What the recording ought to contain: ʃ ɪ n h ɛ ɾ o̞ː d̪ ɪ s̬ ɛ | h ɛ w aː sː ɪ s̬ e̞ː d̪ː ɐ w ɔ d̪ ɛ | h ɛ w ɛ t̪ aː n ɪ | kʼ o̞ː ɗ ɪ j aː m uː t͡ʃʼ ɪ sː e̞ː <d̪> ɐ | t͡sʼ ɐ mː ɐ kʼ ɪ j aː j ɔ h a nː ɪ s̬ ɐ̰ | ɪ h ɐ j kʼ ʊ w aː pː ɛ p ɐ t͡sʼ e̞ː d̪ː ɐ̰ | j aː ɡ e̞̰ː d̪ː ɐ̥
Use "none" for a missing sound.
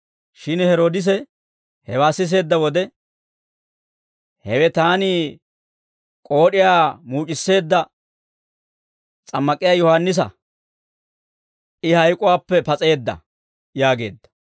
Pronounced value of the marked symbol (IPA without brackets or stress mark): d̪ː